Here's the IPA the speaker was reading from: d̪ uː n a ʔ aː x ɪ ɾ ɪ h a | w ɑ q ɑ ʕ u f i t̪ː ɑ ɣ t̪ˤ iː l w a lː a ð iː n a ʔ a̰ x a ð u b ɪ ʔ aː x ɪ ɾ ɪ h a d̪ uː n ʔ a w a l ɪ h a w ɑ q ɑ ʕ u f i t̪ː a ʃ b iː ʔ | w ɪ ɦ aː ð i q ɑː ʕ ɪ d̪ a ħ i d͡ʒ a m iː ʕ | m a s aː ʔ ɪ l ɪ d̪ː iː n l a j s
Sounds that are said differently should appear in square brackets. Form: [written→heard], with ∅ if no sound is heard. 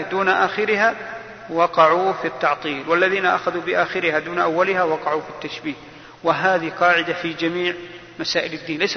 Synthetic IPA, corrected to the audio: d̪ uː n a ʔ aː x ɪ ɾ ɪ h a | w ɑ q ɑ ʕ u f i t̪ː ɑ [ɣ→ʕ] t̪ˤ iː l w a lː a ð iː n a ʔ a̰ x a ð u b ɪ ʔ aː x ɪ ɾ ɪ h a d̪ uː n ʔ a [w→wː] a l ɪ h a w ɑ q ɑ ʕ u f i t̪ː a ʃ b iː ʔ | w ɪ ɦ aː ð i q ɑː ʕ ɪ d̪ a [ħ→f] i d͡ʒ a m iː ʕ | m a s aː ʔ ɪ l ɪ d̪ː iː n l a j s